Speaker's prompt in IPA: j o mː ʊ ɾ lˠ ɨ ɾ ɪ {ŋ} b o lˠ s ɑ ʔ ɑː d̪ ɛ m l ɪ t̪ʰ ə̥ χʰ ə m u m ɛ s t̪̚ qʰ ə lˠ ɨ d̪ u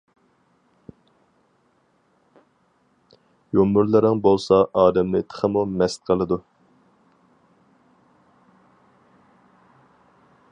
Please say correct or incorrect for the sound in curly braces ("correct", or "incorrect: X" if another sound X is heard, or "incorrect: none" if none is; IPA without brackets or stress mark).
correct